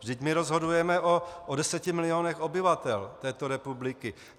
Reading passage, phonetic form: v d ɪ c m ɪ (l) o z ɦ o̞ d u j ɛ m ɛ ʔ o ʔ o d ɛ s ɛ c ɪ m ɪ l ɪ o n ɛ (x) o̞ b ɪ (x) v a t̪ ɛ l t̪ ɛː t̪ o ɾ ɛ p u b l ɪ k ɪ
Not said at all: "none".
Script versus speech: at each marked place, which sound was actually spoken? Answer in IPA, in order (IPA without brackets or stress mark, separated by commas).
ɾ, x, none